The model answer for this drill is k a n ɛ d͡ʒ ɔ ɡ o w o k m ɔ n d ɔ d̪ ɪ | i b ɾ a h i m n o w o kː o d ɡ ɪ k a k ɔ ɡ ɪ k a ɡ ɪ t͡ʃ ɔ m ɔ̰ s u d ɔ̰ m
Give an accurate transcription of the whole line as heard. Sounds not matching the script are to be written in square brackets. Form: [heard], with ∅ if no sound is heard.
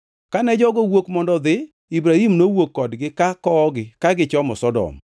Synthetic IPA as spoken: k a n ɛ d͡ʒ ɔ ɡ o w o k m ɔ n d ɔ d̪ ɪ | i b ɾ a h i m n o w o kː [ɔ] d ɡ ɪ k a k ɔ ɡ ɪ k a ɡ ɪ t͡ʃ ɔ m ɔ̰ s [ɔ] d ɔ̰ m